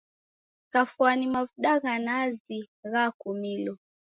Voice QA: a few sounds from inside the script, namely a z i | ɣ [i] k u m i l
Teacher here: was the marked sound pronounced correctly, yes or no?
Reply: no